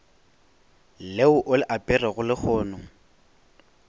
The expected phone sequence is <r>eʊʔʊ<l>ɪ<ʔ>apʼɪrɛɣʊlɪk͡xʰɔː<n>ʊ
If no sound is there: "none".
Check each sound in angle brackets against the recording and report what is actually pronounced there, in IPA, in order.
l, l, ʔ, n

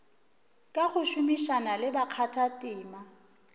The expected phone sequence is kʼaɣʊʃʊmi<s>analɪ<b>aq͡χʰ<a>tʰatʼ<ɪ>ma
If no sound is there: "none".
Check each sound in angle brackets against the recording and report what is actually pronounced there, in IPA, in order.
ʃ, b, a, ɪː

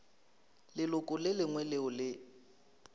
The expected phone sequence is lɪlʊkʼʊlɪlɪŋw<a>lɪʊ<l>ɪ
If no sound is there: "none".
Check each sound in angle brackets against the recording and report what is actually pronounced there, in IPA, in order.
ɛ, l

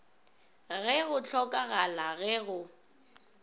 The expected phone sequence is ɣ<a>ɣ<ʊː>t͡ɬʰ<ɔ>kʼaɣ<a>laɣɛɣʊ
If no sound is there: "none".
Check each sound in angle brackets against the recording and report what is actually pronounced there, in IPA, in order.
ɛ, ʊ, ɔ, a

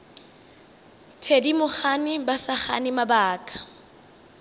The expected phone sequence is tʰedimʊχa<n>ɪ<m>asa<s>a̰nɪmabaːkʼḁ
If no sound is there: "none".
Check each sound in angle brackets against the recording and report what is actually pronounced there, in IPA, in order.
n, b, χ

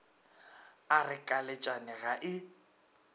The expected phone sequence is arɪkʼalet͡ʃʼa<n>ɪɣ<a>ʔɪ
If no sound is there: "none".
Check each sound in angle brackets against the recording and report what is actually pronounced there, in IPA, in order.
n, a

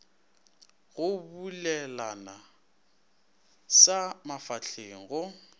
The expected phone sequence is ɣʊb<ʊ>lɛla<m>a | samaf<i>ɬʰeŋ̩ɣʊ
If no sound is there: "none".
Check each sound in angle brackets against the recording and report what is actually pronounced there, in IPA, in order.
u, n, a

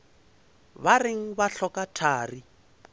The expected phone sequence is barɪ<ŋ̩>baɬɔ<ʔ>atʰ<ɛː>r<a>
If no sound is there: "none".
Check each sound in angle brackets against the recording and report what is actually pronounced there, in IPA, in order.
ŋ̩, k, aː, i

